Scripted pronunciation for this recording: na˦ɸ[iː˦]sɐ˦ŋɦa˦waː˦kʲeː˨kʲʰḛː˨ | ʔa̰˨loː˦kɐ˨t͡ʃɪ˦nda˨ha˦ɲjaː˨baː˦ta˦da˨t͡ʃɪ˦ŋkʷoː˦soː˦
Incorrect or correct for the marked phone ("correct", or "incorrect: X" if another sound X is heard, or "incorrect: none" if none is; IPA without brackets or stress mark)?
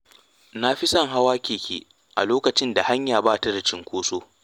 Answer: incorrect: i˦